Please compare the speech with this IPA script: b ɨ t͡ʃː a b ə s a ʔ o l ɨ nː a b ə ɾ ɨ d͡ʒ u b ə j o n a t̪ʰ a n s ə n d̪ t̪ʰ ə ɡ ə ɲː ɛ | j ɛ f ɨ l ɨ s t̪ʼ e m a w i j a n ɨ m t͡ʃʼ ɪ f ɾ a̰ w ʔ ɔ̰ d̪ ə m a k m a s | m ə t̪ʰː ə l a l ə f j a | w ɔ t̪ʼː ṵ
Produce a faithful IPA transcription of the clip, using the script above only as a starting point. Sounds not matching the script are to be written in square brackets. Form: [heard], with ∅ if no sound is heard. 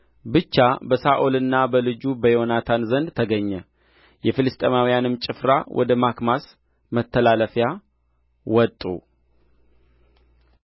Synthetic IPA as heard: b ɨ t͡ʃː a b ə s a ʔ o l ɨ nː a b ə [l] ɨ d͡ʒ u b ə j o n a t̪ʰ a n [z] ə n d̪ t̪ʰ ə ɡ ə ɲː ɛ | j ɛ f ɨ l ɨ s t̪ʼ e m a w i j a n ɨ m t͡ʃʼ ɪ f ɾ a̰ w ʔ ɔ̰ d̪ ə m a k m a s | m ə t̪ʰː ə l a l ə f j a | w ɔ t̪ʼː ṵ